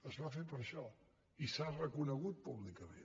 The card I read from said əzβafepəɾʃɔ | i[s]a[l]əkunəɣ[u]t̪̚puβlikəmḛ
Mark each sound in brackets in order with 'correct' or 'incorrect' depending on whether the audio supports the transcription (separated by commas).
correct, incorrect, correct